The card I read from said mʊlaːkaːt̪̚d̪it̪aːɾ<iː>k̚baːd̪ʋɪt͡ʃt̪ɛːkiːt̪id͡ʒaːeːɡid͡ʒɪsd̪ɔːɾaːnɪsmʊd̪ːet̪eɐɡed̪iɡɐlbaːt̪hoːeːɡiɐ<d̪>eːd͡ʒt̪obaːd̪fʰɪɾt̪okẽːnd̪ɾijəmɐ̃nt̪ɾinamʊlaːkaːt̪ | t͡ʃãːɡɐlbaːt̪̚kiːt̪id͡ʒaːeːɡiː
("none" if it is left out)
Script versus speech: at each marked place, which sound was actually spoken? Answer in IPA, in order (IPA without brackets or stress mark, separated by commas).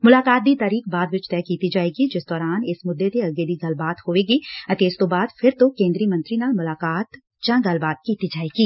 iː, t̪